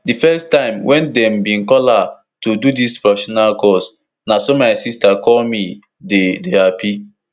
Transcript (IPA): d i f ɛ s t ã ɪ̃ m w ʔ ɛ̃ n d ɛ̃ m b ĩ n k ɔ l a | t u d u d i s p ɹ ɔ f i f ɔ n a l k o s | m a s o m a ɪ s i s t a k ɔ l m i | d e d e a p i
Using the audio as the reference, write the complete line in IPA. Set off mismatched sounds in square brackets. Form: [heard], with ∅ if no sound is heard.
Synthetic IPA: d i f ɛ s t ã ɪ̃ m w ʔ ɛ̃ n d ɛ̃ m b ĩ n k ɔ l a | t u d u d i s p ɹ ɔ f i [ʃ] ɔ n a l k [ɔ] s | [n] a s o m a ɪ s i s t a k ɔ l m i | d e d e a p i